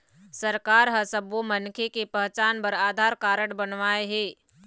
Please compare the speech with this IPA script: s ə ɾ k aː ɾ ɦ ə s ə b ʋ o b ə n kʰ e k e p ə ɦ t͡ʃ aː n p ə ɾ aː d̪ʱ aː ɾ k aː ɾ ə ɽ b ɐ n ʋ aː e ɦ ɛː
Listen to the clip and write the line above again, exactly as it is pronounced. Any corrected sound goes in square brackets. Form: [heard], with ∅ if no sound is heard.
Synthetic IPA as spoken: s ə ɾ k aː ɾ ɦ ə s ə b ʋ o [m] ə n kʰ e k e p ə ɦ t͡ʃ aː n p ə ɾ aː d̪ʱ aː ɾ k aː ɾ ə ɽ b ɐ n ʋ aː e ɦ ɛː